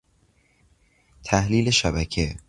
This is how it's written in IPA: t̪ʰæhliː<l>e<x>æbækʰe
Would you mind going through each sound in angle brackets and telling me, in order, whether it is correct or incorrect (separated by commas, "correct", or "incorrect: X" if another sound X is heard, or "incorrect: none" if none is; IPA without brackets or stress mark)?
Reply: correct, incorrect: ʃ